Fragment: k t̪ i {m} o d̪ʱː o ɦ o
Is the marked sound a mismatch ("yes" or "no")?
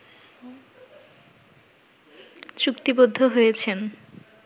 yes